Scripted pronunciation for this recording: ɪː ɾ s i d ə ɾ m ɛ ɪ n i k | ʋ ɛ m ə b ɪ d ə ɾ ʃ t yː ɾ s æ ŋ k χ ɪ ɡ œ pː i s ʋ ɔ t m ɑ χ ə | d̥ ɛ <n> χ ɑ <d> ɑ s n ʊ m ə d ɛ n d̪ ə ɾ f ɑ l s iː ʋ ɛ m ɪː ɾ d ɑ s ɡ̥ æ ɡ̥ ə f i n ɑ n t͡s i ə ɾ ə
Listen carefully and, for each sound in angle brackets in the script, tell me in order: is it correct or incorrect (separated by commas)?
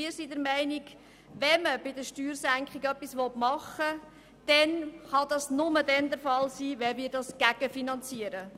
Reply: correct, correct